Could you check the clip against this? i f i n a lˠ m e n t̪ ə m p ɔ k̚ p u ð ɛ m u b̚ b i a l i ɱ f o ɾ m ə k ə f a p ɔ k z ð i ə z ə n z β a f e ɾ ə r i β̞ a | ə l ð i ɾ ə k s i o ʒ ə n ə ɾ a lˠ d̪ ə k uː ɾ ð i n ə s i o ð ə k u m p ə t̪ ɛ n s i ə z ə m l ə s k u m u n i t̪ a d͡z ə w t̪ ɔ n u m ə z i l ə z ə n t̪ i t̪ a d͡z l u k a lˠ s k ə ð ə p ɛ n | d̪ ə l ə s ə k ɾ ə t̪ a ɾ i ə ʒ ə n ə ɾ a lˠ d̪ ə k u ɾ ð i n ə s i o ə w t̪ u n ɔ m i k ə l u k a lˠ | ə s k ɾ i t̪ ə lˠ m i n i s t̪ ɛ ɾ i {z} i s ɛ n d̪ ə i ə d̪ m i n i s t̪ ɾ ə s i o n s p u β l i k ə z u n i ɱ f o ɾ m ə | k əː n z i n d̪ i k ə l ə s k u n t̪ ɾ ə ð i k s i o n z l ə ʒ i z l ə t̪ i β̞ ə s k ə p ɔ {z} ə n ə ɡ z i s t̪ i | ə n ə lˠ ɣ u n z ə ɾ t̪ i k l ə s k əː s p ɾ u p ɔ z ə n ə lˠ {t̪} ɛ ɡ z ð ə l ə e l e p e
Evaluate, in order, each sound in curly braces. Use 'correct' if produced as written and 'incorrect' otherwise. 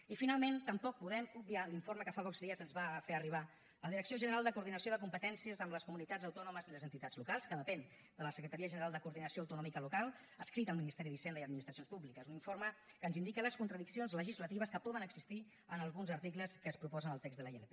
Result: incorrect, incorrect, correct

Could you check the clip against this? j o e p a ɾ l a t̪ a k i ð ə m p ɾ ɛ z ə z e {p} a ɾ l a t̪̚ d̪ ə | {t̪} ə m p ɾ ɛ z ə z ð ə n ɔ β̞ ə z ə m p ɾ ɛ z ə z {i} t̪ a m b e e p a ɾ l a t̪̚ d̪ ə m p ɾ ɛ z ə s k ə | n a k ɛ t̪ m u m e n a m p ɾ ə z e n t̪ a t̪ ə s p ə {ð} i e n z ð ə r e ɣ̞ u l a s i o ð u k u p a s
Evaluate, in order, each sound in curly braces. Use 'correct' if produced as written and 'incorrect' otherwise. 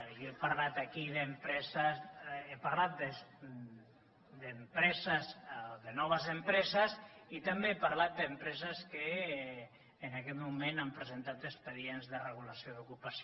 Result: correct, incorrect, correct, correct

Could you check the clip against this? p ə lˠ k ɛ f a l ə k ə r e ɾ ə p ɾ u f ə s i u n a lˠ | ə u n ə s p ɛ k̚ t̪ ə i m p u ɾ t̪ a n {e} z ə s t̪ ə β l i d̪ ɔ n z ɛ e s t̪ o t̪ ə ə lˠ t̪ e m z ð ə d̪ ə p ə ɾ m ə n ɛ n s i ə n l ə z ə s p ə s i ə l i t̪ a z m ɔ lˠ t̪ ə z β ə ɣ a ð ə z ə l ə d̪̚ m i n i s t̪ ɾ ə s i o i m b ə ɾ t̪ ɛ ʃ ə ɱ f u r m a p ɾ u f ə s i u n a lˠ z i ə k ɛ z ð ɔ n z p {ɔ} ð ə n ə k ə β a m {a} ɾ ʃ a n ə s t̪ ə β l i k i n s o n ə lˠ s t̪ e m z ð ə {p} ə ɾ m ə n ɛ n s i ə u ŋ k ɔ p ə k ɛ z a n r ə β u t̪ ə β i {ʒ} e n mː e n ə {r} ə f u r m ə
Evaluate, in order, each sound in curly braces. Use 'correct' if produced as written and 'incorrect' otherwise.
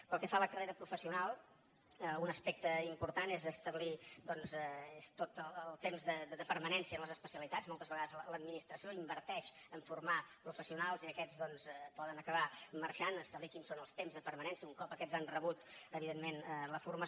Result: correct, correct, incorrect, correct, incorrect, incorrect

